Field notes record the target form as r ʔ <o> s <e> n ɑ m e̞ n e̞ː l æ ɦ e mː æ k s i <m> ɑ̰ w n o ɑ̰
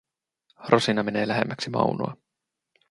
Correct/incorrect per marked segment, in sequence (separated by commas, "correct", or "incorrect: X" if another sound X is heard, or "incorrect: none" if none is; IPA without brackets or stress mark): correct, incorrect: i, correct